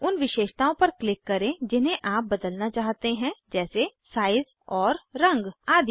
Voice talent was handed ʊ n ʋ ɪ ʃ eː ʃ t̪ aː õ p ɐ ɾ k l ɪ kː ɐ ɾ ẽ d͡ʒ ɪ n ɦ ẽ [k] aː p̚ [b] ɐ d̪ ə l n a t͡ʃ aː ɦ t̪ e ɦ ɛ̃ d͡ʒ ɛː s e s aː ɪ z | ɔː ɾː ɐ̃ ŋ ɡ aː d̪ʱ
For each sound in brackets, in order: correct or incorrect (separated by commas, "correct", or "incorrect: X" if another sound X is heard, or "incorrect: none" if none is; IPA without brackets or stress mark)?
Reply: incorrect: ʔ, correct